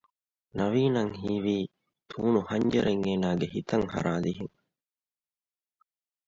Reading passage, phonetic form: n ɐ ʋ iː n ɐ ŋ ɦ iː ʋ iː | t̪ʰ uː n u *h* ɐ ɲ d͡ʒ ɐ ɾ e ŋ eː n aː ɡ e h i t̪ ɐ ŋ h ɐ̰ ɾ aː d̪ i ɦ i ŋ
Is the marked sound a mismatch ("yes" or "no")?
no